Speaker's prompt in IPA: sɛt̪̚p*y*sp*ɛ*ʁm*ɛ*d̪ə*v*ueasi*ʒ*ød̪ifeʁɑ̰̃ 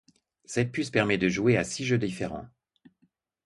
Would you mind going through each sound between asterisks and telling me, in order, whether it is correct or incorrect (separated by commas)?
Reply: correct, correct, correct, incorrect, correct